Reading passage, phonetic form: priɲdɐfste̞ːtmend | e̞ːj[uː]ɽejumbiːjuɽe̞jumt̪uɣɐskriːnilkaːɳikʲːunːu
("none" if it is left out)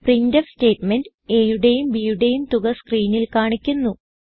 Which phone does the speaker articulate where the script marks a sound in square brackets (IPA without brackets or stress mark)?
u